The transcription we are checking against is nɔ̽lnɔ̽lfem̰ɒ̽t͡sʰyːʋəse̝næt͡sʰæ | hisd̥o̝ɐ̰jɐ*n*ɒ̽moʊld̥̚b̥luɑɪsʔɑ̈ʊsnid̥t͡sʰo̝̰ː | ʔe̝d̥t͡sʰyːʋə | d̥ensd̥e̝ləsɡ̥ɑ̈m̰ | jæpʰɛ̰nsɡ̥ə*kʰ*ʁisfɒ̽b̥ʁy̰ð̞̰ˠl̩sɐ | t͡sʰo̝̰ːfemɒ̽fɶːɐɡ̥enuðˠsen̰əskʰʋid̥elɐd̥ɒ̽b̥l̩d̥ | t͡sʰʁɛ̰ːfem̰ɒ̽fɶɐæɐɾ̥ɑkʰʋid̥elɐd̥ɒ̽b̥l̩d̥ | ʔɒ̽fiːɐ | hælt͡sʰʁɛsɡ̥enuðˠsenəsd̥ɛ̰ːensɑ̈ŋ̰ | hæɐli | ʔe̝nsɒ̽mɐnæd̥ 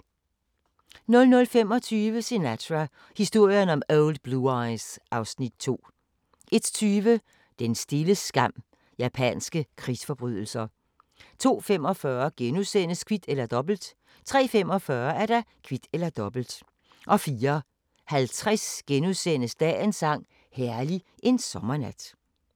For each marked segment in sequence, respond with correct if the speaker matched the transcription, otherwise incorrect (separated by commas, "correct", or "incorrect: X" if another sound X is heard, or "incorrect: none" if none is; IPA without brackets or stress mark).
correct, correct